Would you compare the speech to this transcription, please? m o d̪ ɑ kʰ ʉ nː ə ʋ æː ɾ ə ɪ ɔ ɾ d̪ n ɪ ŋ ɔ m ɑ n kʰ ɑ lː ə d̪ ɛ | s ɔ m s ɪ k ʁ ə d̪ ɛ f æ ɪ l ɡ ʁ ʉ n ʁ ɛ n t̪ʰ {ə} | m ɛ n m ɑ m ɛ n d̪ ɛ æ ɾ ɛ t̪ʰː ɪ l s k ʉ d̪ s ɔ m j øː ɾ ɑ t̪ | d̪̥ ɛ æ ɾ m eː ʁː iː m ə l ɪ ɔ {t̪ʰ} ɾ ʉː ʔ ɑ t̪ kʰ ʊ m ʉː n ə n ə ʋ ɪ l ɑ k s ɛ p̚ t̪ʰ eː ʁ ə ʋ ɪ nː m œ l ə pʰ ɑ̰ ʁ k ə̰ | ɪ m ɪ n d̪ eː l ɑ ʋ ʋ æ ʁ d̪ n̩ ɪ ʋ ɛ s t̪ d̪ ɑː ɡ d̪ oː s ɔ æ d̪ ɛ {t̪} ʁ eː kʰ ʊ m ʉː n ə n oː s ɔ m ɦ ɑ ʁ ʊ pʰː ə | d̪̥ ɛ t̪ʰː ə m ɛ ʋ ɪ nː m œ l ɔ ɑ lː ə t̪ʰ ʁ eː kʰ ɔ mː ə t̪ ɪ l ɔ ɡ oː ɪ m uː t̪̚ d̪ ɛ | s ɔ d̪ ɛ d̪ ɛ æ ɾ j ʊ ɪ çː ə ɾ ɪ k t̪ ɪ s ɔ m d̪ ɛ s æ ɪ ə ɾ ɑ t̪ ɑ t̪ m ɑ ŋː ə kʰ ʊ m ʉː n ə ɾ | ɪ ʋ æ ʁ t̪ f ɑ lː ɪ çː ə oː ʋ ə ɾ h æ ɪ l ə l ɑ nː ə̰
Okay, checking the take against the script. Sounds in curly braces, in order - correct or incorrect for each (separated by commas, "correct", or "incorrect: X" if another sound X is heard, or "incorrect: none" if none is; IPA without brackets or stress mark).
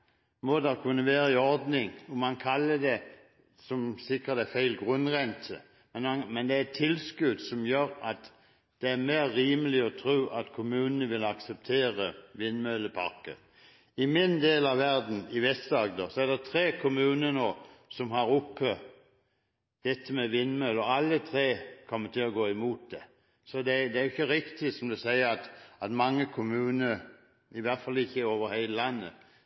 correct, correct, incorrect: t̪ʰ